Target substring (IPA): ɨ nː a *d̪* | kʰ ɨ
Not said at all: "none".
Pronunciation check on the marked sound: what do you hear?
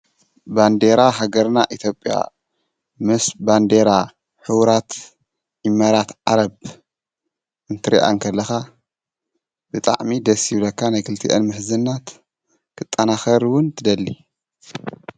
t̪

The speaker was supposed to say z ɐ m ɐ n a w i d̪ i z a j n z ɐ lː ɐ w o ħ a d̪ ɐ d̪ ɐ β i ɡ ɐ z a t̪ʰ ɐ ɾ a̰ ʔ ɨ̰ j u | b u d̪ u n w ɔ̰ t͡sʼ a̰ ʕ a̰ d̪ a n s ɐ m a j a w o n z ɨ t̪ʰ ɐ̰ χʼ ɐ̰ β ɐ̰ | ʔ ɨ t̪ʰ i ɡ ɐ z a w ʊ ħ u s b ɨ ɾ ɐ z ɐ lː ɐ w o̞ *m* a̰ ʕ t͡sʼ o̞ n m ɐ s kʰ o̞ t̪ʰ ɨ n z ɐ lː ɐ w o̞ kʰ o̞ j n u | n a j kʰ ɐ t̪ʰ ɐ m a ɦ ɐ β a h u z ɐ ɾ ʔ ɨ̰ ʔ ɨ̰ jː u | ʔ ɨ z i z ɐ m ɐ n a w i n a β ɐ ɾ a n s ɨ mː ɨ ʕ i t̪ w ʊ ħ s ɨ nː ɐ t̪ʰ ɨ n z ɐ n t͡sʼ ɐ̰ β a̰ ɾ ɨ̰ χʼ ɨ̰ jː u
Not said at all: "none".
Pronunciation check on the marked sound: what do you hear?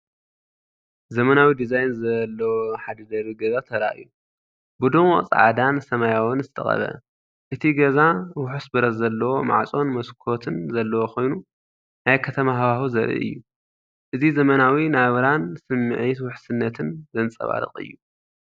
m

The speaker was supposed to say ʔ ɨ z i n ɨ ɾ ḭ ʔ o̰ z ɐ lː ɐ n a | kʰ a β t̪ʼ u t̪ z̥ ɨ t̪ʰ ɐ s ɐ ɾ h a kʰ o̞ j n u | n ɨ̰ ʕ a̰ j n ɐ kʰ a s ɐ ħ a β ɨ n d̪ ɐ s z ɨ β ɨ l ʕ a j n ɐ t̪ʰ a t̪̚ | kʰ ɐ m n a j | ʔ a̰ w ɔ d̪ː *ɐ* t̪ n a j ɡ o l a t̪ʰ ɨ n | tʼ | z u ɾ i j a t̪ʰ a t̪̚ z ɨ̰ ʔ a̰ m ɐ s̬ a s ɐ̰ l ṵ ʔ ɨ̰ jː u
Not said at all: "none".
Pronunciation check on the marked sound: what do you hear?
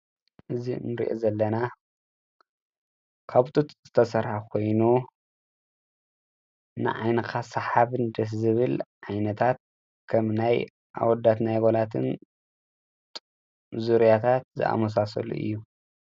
a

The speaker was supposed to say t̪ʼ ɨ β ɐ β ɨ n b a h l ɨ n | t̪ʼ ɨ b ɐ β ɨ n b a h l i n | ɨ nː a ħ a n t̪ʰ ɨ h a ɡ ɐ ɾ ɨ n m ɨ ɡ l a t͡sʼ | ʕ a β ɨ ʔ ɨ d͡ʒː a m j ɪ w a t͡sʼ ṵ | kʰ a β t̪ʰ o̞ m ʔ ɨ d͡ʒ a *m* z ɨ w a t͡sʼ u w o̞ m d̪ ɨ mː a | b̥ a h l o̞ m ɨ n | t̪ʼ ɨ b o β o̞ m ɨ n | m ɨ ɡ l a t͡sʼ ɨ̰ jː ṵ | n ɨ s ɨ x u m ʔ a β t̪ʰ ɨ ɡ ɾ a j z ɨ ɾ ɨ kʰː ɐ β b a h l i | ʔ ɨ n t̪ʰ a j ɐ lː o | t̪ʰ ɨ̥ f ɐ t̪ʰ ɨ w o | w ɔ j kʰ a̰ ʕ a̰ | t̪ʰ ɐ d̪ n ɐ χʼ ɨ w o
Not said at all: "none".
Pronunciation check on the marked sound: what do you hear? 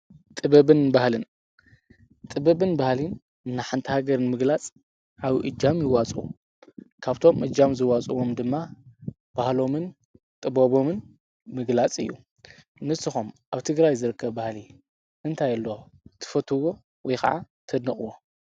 m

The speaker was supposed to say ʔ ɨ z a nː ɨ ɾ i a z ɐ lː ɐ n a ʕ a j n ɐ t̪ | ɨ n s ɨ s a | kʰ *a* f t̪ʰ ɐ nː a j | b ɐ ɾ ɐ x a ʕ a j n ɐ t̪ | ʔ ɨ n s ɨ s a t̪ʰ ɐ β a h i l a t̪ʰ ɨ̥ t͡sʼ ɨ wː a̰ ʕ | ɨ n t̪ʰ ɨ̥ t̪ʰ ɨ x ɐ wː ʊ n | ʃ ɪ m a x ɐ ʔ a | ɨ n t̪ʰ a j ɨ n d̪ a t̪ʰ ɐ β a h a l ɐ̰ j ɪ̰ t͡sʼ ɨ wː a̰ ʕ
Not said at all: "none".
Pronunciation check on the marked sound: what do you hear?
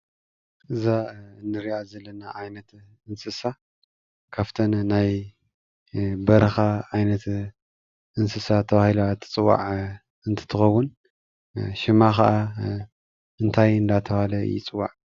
a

